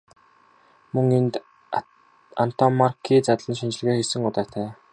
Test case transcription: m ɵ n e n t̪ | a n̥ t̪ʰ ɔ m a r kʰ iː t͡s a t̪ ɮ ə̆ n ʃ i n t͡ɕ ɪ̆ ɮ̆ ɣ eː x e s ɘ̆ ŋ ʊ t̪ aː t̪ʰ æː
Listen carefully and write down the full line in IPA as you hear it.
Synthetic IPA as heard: m ɵ ŋ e n t̪ | a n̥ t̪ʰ ɔ m a r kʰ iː t͡s a t̪ ɮ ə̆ n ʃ i n t͡ɕ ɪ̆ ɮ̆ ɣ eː x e s ɘ̆ ŋ ʊ t̪ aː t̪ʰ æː

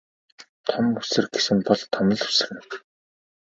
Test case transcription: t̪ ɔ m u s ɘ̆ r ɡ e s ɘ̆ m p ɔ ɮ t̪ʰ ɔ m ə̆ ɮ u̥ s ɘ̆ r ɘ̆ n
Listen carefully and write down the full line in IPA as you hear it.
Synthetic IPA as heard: t̪ʰ ɔ m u s ɘ̆ r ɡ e s ɘ̆ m p ɔ ɮ t̪ʰ ɔ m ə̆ ɮ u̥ s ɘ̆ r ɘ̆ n

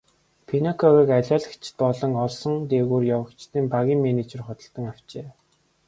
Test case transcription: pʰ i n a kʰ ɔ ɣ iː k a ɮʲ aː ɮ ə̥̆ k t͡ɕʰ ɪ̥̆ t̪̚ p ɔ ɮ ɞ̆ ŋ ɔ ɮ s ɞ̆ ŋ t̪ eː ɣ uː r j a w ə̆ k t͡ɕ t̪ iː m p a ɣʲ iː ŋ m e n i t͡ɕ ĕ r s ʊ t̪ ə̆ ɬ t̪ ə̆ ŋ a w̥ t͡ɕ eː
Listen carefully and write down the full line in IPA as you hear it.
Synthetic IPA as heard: pʰ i n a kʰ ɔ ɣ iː k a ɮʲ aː ɮ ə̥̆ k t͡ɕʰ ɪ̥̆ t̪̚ p ɔ ɮ ɞ̆ ŋ ɔ ɮ s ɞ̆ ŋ t̪ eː ɣ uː r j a w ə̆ k t͡ɕ t̪ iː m p a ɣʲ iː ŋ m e n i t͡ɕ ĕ r χ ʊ t̪ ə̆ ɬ t̪ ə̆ ŋ a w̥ t͡ɕ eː

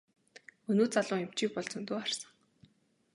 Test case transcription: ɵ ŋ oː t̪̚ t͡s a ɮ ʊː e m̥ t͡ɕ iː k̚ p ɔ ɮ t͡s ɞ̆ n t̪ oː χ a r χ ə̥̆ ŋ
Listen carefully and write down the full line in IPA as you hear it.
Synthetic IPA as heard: ɵ n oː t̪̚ t͡s a ɮ ʊː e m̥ t͡ɕ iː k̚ p ɔ ɮ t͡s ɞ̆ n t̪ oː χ a r s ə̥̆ ŋ

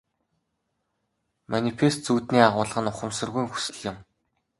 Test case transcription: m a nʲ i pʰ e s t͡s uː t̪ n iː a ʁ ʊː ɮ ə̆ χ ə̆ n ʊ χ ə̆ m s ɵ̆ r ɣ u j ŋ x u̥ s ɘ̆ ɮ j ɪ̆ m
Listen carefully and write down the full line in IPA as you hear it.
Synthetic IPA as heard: m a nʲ i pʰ e s t͡s uː t̪ n iː a ʁ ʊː ɮ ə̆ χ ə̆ n ʊ χ ə̆ m s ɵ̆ r ɣ u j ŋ x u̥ s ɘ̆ ɮ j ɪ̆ m

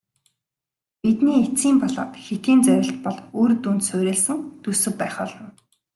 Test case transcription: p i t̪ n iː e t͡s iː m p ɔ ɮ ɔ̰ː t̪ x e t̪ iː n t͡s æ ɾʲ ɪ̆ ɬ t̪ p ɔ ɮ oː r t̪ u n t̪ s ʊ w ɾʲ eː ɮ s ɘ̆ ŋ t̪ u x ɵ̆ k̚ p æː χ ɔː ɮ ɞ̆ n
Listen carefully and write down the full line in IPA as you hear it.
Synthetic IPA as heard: p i t̪ n iː e t͡s iː m p ɔ ɮ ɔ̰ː t̪ x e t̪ iː n t͡s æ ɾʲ ɪ̆ ɬ t̪ p ɔ ɮ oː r t̪ u n t̪ s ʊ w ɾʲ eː ɮ s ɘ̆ ŋ t̪ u s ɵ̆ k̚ p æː χ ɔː ɮ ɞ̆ n

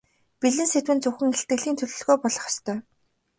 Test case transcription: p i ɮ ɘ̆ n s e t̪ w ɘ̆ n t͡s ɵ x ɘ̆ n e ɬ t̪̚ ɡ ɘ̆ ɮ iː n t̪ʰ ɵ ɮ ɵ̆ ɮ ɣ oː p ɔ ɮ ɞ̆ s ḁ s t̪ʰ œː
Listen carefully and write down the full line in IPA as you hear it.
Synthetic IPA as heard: p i ɮ ɘ̆ n s e t̪ w ɘ̆ n t͡s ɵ x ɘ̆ ŋ e ɬ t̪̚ ɡ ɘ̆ ɮ iː n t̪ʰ ɵ ɮ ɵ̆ ɮ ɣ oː p ɔ ɮ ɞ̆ χ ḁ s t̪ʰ œː

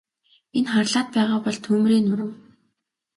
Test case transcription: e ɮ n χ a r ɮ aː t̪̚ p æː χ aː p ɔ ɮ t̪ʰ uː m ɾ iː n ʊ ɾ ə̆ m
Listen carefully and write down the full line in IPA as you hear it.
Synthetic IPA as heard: e n χ a r ɮ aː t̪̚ p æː ʁ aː p ɔ ɮ t̪ʰ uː m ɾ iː n ʊ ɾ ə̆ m

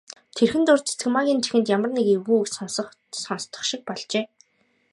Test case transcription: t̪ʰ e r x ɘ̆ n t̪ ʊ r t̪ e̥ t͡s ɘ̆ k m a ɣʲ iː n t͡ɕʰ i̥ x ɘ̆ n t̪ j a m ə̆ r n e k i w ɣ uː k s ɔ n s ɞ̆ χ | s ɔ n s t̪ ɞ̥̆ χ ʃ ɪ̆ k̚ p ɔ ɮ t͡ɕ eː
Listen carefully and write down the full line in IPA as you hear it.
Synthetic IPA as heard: t̪ʰ e r x ɘ̆ n t̪ ʊ r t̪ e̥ t͡s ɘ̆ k m a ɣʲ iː n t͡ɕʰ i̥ x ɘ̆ n t̪ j a m ə̆ r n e k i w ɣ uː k s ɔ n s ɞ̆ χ | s ɔ n s t̪ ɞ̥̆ χ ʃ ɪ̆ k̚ p ɔ ɮ t͡ɕ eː

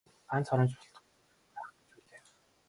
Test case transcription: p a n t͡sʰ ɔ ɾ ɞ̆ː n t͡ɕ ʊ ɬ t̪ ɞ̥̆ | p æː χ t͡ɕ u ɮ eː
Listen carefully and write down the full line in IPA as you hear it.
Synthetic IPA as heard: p a n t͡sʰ ɔ ɾ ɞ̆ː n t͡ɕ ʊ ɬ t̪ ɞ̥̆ | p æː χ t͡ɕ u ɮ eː

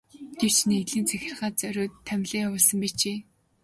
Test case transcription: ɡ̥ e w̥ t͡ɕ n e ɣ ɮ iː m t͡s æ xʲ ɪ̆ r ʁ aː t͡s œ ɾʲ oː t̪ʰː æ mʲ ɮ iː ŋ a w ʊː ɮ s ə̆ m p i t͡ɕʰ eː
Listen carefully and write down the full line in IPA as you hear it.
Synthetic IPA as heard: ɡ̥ e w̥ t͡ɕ n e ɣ ɮ iː n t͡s æ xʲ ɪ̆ r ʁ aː t͡s œ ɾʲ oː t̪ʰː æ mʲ ɮ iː ŋ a w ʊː ɮ s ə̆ m p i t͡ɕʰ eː

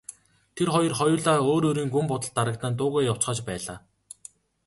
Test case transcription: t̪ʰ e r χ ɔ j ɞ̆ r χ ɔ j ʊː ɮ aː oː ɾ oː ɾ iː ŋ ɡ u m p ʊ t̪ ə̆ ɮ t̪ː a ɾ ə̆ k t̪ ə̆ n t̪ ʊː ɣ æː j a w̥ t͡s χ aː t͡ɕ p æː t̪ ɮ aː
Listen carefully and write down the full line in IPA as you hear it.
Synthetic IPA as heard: t̪ʰ e r χ ɔ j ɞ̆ r χ ɔ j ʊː ɮ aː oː ɾ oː ɾ iː ŋ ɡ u m p ʊ t̪ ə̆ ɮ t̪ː a ɾ ə̆ k t̪ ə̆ n t̪ ʊː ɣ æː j a w̥ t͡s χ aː t͡ɕ p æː ɮ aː

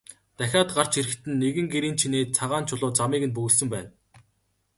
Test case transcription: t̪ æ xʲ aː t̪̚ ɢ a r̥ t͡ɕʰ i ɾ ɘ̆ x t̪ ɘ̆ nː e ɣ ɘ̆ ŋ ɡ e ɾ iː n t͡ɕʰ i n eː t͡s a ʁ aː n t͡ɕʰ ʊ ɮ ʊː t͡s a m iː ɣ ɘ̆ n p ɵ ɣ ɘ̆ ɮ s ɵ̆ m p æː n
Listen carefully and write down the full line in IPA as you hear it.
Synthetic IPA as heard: t̪ æ xʲ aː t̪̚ ɢ a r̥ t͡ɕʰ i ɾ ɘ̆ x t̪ ɘ̆ nː e ɣ ɘ̆ ŋ ɡ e ɾ iː n t͡ɕʰ i n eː t͡sʰ a ʁ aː n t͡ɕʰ ʊ ɮ ʊː t͡s a m iː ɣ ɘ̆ n p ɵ ɣ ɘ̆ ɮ s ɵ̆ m p æː n

